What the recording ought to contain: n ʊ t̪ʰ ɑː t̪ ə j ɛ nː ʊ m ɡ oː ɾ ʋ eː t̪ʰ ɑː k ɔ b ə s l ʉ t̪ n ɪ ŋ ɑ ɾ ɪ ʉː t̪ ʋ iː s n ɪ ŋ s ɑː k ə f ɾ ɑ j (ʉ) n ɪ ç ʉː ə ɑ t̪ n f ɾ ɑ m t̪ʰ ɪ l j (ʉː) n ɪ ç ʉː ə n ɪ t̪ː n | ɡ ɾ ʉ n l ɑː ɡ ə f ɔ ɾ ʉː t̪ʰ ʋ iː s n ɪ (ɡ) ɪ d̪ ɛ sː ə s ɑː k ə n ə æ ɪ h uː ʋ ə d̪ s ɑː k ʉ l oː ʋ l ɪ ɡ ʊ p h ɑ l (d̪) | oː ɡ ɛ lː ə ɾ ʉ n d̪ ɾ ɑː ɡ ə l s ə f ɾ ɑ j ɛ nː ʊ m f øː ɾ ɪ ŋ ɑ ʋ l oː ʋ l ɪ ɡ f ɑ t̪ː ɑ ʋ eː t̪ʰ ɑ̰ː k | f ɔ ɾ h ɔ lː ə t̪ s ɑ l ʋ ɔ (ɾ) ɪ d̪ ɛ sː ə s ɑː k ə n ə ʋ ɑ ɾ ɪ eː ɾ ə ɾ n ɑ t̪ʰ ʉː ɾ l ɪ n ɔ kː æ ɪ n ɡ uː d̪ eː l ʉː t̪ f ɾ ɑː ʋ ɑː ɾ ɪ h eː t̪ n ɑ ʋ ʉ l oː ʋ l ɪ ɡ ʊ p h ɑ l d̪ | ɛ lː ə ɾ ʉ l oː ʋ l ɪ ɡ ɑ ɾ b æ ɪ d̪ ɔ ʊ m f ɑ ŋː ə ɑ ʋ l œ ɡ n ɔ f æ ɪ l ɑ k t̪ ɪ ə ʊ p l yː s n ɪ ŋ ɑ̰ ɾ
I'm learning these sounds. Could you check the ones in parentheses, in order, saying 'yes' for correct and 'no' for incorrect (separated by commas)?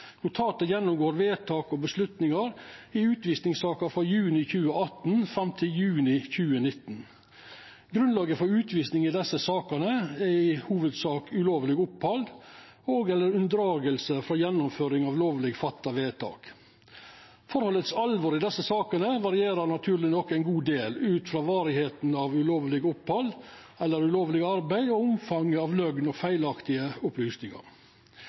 no, yes, no, yes, yes